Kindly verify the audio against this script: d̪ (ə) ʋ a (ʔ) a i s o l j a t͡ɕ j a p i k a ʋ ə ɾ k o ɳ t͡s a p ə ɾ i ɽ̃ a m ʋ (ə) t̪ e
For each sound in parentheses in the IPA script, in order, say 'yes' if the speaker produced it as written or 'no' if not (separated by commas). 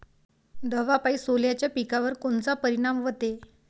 yes, no, yes